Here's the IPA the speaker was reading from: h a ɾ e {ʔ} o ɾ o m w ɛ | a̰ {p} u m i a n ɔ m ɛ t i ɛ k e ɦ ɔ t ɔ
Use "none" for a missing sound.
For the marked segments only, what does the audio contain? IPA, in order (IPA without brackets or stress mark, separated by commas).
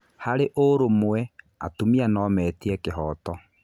ʔ, t